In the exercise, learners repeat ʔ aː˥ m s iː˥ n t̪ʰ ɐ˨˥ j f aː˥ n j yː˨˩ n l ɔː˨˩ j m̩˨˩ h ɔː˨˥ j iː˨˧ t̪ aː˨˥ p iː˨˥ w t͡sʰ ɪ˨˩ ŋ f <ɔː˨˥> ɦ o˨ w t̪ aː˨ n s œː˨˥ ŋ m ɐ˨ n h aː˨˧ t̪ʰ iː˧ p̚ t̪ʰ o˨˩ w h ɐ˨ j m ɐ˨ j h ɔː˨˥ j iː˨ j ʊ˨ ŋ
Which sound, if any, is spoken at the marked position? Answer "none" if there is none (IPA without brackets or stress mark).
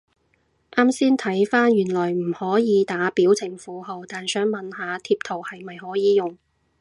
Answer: uː˨˥